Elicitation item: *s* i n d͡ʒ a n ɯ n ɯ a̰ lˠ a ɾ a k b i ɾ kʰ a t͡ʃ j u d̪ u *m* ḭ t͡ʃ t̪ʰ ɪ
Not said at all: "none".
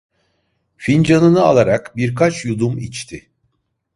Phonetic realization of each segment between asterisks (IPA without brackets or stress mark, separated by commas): f, m